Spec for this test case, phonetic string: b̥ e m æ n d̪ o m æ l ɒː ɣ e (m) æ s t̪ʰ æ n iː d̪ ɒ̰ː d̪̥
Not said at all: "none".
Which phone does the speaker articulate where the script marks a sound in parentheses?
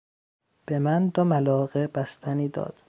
b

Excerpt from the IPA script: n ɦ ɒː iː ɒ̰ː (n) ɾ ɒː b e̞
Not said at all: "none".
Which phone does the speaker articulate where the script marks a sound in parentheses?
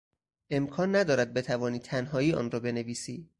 n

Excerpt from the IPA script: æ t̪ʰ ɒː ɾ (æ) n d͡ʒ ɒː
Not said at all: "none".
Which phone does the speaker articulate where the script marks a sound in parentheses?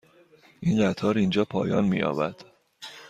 i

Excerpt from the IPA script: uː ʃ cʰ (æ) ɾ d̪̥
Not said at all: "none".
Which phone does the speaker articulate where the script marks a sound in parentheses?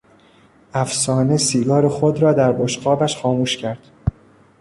æ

